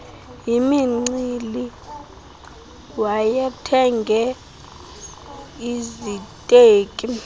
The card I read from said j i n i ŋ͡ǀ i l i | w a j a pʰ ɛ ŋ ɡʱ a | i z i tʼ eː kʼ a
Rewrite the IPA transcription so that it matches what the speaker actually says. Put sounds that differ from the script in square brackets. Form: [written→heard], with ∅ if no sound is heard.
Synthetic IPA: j i [n→m] i ŋ͡ǀ i l i | w a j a [pʰ→tʰ] ɛ ŋ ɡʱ [a→ɛ] | i z i tʼ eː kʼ [a→i]